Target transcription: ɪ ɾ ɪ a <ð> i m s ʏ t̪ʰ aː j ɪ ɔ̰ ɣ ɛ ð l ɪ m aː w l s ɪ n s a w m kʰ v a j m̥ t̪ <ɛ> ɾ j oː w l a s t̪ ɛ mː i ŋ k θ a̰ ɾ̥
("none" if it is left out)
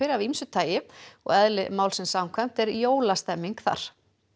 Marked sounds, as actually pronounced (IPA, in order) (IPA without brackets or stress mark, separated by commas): v, ɛ